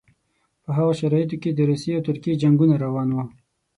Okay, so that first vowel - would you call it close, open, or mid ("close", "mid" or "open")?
mid